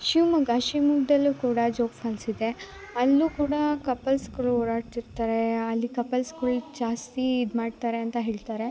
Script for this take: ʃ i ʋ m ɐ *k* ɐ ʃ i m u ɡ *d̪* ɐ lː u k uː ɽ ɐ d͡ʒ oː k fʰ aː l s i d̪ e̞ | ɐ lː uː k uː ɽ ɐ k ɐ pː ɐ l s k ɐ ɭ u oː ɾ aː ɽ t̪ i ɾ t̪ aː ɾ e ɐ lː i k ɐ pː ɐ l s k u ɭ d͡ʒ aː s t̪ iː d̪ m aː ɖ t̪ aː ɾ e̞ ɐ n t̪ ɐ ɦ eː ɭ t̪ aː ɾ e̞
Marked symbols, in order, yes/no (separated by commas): no, yes